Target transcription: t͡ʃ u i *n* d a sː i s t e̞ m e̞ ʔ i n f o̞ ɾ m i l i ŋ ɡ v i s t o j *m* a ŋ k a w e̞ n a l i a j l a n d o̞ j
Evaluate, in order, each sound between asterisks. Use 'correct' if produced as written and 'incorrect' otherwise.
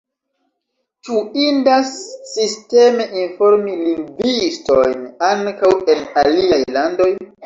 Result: correct, incorrect: n

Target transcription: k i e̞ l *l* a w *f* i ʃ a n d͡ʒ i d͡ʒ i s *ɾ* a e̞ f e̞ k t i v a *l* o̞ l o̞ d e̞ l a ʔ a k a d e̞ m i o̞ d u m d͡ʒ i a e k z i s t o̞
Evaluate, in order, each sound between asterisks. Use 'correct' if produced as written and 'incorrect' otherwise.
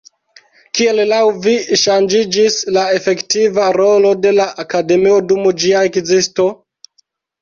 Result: correct, incorrect: v, incorrect: l, incorrect: ɾ

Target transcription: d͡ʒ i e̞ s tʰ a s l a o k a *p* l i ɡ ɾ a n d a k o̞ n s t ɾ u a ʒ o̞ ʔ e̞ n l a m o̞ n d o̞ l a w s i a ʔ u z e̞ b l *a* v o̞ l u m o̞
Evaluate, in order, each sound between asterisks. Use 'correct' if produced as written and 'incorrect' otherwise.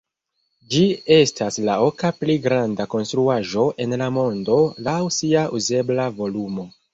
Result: correct, correct

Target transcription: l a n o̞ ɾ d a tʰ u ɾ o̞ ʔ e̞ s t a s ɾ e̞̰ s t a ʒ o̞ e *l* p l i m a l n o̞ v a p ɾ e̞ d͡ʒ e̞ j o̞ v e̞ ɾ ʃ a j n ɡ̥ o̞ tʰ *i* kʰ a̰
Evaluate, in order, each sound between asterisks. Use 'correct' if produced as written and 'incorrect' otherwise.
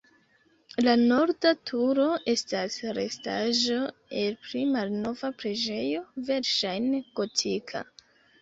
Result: correct, correct

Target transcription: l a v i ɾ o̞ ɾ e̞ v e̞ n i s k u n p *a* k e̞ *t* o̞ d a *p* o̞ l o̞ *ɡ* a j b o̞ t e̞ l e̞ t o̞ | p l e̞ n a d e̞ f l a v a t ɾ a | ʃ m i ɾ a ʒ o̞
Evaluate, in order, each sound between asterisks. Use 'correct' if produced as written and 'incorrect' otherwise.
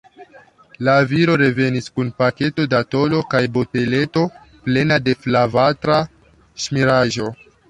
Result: correct, correct, incorrect: t, incorrect: k

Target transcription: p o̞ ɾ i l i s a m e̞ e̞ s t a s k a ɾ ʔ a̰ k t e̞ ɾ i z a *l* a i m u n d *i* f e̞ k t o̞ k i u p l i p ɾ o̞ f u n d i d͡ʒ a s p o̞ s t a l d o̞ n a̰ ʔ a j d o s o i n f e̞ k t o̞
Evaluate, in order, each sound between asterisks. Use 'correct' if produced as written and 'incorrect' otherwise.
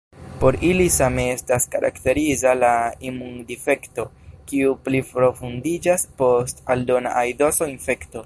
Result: correct, correct

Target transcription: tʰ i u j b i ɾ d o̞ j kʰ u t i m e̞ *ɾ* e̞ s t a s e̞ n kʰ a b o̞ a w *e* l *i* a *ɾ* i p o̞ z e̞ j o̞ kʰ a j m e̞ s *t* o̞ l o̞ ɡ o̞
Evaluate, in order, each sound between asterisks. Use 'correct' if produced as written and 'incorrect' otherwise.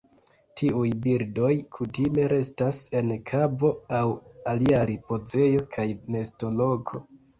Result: correct, incorrect: a, correct, correct, correct

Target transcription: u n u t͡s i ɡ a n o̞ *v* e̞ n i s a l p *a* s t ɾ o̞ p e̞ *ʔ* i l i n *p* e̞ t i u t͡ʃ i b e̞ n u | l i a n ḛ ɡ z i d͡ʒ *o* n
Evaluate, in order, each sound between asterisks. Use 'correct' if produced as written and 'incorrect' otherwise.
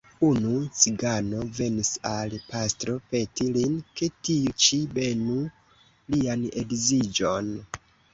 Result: correct, correct, incorrect: t, incorrect: k, correct

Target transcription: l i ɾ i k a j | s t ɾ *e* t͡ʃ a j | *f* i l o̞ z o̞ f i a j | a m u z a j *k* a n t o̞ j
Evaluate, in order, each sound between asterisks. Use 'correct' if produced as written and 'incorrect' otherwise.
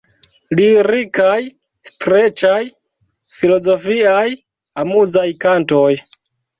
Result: correct, correct, correct

